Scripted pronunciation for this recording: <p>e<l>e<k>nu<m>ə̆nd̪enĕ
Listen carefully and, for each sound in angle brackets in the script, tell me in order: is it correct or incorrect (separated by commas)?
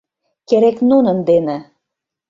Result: incorrect, incorrect, correct, incorrect